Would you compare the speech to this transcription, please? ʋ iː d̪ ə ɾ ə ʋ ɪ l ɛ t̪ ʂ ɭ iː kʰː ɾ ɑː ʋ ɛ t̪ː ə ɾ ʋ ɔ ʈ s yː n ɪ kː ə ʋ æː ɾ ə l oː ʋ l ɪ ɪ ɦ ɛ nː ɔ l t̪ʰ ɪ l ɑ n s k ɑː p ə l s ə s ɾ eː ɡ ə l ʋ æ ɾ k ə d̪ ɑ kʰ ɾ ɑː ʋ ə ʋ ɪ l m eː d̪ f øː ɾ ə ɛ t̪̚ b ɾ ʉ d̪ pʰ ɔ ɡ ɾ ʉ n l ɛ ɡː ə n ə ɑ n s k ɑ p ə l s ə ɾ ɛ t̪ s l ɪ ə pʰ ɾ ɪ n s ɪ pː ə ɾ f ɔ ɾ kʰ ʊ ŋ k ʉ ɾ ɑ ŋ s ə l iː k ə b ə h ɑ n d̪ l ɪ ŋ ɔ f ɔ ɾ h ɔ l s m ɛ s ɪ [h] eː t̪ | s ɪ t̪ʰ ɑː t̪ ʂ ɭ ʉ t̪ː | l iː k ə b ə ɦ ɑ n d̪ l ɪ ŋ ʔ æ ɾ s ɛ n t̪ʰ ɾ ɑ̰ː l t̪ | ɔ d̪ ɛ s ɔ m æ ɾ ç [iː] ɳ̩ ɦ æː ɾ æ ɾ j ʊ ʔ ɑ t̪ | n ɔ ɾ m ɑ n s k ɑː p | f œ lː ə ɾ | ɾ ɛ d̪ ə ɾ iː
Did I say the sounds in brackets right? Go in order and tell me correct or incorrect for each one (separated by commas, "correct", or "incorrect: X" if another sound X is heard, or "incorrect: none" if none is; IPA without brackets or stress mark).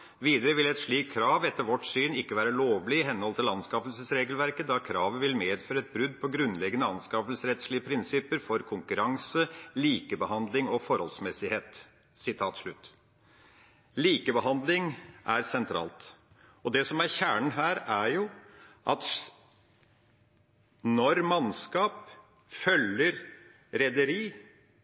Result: correct, incorrect: æː